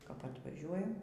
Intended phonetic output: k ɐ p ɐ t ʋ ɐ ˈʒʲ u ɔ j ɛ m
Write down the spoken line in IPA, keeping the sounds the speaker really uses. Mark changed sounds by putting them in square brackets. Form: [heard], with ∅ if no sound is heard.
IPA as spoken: k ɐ p ɐ t ʋ ɐ ˈʒʲ u ɔ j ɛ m